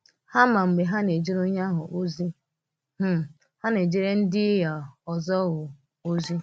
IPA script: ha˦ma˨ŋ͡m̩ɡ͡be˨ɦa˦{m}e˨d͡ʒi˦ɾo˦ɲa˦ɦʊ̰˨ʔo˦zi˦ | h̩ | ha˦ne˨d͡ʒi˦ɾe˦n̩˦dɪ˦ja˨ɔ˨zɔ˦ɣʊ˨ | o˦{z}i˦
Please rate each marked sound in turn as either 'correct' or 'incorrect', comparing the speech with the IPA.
incorrect, correct

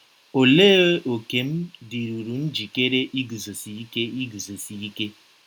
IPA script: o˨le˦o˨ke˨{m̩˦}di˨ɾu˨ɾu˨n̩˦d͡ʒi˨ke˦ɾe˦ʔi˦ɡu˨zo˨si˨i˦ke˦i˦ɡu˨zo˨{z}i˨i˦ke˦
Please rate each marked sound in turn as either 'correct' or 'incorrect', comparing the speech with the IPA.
correct, incorrect

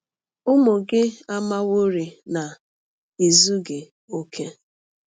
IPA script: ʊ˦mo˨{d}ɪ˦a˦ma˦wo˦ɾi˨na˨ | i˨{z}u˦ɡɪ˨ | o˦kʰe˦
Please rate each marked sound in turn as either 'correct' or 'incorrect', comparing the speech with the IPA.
incorrect, correct

